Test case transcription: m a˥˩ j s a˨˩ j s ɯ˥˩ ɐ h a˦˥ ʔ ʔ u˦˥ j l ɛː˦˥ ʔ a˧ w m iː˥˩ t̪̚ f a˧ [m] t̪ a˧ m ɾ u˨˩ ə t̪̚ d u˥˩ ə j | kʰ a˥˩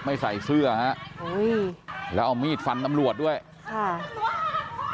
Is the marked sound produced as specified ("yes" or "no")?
no